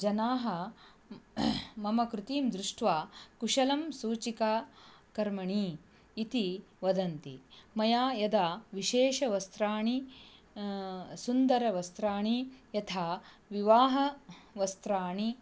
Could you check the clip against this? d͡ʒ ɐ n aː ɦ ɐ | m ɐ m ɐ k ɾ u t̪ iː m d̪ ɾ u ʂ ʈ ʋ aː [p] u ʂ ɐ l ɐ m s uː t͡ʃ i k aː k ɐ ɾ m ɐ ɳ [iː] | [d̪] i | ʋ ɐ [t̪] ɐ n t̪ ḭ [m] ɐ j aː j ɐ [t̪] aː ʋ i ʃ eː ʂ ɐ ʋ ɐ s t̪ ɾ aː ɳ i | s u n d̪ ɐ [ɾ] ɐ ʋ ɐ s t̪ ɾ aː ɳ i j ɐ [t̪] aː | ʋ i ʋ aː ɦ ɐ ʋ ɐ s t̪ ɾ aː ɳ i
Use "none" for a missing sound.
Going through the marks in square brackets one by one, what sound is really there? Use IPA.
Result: k, iː, t̪, d̪, m, d̪, ɾ, t̪ʰ

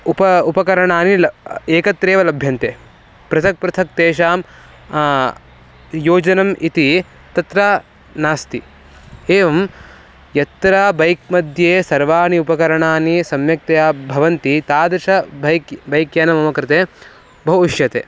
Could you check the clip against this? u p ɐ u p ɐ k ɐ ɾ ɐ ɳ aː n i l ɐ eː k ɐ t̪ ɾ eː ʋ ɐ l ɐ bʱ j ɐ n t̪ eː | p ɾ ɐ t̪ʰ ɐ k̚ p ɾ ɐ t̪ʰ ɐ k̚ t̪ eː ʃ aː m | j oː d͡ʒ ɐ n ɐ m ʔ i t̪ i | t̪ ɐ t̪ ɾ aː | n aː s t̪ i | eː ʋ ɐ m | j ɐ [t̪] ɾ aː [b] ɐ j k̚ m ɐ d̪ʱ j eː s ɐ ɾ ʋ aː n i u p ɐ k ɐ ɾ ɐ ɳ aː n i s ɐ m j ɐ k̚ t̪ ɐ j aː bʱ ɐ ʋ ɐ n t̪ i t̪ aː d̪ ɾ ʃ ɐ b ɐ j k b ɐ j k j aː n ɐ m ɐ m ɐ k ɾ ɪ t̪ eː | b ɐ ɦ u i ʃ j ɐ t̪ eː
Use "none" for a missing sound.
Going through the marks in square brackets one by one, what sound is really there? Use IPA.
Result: t̪, b

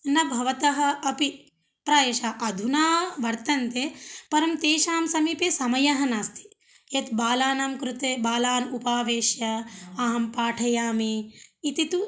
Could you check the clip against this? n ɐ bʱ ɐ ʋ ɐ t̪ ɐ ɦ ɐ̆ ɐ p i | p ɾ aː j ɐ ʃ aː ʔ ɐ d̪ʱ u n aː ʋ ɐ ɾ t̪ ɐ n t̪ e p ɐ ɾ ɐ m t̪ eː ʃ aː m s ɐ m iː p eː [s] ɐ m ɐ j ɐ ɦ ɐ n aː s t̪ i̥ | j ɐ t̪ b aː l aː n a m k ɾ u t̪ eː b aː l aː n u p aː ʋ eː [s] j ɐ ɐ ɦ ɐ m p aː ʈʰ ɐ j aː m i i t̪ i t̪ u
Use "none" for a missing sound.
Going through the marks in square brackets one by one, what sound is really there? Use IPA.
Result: s, ʃ

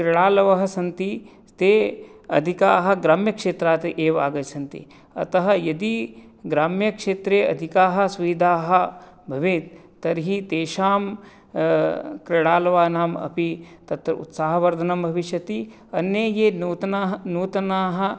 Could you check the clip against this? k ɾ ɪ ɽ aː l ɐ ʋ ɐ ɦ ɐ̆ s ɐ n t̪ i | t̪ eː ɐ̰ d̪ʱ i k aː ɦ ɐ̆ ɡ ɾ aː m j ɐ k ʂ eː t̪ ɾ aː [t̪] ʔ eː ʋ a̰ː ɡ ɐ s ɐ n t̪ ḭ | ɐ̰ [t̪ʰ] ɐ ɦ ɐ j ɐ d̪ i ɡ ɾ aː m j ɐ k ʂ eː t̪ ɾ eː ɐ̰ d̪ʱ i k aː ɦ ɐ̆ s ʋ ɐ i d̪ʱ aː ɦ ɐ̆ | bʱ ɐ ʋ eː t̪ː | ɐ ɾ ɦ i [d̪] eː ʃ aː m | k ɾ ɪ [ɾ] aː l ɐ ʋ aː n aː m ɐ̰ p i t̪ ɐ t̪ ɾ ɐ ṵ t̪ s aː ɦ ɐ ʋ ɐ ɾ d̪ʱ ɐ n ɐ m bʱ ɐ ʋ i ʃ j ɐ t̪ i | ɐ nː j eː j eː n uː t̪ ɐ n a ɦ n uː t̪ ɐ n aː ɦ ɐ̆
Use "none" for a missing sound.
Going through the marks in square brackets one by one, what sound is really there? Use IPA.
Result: t̪, t̪, t̪, ɽ

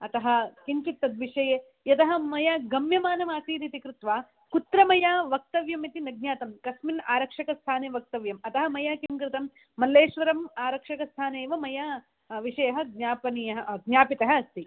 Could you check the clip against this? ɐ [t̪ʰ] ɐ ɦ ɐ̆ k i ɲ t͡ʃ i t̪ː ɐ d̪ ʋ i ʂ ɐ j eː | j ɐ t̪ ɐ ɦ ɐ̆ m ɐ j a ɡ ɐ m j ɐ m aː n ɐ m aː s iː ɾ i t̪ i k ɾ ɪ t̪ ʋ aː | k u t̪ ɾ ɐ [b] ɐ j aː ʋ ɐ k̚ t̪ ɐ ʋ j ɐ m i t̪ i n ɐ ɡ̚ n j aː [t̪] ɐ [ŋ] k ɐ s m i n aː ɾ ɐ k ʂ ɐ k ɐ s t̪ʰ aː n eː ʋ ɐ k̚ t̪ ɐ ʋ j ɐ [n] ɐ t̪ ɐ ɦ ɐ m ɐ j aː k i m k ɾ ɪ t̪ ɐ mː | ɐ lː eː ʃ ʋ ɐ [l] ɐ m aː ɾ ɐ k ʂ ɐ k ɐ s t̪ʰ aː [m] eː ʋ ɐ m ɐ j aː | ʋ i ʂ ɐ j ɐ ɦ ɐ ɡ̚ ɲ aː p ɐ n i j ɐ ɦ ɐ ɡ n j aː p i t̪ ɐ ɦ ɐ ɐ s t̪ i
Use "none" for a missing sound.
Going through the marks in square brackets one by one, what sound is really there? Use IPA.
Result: t̪, m, t̪, m, m, ɾ, n

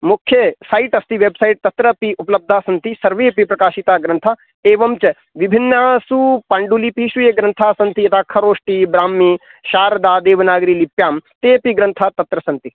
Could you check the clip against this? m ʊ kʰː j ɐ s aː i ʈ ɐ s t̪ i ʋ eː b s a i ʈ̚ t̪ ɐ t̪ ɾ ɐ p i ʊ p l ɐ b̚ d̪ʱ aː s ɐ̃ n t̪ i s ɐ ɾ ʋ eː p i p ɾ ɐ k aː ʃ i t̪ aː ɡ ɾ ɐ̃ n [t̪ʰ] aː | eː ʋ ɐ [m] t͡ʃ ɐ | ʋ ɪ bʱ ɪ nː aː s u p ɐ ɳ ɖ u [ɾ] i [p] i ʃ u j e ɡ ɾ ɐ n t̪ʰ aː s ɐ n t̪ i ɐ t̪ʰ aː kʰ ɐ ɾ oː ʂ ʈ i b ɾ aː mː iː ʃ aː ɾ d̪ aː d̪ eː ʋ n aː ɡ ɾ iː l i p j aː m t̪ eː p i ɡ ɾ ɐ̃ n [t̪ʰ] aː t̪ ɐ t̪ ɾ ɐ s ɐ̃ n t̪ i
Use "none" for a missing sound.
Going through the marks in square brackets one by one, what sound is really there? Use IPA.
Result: t̪ʰ, m, l, p, t̪ʰ

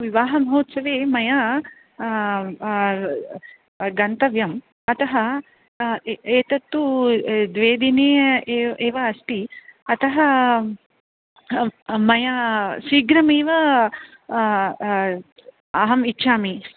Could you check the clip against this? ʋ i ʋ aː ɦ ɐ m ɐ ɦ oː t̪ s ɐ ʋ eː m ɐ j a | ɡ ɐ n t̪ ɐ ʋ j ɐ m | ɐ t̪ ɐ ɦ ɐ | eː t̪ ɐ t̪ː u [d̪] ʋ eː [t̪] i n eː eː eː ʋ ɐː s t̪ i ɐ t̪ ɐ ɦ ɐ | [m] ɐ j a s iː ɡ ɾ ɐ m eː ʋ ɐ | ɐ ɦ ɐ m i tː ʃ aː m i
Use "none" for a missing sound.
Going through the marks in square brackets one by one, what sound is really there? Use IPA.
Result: d̪, d̪, m

